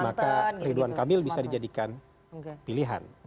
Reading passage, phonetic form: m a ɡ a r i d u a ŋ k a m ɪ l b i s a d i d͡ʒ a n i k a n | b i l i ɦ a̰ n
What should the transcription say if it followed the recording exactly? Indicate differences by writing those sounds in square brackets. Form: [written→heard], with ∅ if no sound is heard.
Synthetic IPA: m a [ɡ→k] a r i d u a [ŋ→n] k a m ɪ l b i s a d i d͡ʒ a [n→d] i k a n | [b→p] i l i ɦ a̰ n